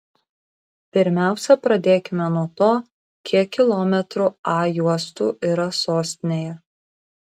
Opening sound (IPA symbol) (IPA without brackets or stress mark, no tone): pʲ